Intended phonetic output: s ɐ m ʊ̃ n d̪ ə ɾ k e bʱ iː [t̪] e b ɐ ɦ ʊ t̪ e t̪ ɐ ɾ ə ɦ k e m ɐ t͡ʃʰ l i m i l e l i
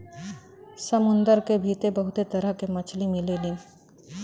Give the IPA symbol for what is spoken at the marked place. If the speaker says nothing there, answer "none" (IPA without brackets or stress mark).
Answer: t̪